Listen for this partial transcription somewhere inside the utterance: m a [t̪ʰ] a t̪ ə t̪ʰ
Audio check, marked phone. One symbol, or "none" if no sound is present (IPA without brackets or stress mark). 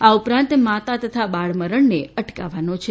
t̪